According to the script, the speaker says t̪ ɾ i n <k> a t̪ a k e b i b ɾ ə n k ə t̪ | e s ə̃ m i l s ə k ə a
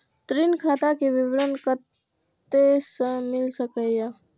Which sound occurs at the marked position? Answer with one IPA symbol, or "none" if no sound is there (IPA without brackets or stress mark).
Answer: kʰ